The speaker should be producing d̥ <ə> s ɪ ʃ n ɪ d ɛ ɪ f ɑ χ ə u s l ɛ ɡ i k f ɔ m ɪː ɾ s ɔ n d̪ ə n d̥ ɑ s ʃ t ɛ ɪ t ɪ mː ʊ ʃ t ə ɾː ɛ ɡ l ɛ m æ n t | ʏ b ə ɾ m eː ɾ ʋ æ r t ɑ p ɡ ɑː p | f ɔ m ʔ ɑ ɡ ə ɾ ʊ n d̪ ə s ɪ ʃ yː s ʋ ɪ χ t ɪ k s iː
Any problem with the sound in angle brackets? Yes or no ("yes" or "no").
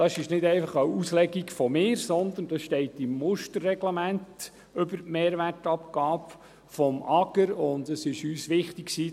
yes